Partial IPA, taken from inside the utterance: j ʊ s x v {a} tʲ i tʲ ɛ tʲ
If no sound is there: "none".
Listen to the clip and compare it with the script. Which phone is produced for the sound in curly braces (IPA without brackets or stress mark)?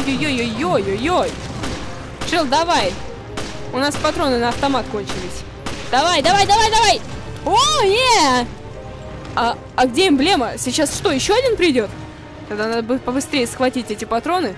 ɐ